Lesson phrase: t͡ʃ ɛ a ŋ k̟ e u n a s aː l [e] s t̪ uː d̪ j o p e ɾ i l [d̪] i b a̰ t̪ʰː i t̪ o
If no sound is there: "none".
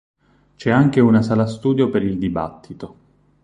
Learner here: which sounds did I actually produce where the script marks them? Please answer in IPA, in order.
a, d̪

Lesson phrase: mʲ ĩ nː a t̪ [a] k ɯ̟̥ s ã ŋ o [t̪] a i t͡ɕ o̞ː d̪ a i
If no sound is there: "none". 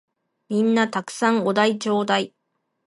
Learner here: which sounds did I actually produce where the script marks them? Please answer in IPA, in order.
a, d̪

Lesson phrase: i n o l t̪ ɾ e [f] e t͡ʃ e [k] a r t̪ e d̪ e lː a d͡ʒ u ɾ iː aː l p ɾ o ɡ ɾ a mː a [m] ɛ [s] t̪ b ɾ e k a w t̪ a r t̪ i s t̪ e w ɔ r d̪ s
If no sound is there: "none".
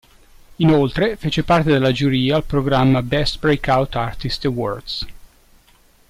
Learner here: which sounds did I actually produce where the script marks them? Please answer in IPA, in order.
f, p, b, s

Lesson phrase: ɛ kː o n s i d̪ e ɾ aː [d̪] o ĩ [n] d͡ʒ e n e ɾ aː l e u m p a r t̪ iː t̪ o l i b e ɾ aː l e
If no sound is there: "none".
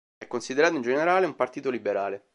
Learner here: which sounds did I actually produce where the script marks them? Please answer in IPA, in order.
t̪, n

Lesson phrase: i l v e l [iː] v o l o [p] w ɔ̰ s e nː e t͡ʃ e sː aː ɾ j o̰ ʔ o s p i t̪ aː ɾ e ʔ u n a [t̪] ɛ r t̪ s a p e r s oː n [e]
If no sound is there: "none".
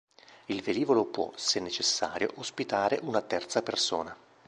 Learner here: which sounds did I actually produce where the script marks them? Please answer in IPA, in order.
iː, p, t̪, a

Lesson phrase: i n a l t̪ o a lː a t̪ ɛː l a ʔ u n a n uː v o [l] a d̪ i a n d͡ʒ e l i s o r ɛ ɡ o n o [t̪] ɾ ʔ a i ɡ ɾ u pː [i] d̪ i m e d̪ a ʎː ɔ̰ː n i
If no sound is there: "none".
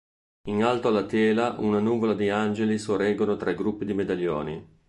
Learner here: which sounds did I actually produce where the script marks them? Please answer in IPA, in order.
l, t̪, i

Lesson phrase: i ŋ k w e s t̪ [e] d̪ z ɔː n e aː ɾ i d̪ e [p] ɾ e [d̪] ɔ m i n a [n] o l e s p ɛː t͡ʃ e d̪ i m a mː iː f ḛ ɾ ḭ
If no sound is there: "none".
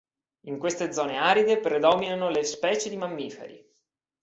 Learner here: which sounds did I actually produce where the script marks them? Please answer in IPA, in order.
e, p, d̪, n

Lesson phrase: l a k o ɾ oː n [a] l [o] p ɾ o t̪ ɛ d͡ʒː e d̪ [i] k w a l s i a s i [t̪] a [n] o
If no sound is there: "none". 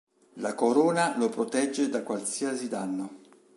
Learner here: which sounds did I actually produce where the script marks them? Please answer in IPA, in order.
a, o, a, d̪, nː

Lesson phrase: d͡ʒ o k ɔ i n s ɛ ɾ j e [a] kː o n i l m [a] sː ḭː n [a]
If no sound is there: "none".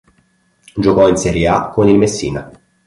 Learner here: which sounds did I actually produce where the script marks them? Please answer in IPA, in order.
a, e, a

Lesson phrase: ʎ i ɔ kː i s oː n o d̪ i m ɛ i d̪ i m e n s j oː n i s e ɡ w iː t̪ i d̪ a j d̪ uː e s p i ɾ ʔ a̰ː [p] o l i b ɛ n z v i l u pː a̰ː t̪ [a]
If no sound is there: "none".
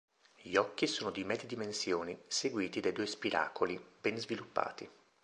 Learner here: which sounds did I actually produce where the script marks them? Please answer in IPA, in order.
k, i

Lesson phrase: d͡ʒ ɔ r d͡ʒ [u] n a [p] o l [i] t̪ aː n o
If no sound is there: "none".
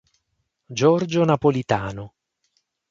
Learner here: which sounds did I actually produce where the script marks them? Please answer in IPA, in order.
o, p, i

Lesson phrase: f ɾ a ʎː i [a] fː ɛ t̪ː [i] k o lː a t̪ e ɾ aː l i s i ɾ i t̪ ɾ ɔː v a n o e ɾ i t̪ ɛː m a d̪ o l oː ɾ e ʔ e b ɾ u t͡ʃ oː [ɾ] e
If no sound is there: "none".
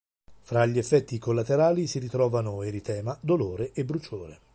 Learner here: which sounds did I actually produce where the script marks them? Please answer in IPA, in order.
e, i, ɾ

